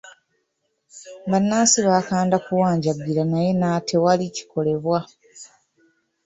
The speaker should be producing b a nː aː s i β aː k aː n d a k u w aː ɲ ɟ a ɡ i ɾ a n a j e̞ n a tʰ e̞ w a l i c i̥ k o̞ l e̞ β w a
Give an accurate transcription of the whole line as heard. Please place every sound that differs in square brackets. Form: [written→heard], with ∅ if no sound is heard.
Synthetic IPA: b a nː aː s i β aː k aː n d a k u w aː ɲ ɟ a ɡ i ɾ a n a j e̞ n a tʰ e̞ w a l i c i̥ k o̞ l e̞ β w a